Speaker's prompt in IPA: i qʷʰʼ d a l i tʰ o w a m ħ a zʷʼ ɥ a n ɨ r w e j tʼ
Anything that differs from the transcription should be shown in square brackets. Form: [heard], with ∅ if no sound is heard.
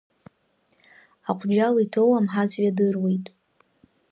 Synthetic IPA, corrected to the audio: [a] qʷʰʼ [d͡ʒ] a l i tʰ o w a m ħ a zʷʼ ɥ a [d] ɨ r w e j tʼ